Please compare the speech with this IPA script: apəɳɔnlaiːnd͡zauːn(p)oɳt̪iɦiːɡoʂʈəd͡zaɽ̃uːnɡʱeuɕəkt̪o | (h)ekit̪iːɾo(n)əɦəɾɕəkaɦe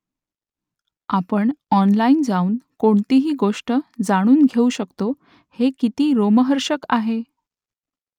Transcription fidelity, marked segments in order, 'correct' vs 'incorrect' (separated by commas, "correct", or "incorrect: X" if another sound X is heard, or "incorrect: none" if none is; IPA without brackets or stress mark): incorrect: k, correct, incorrect: m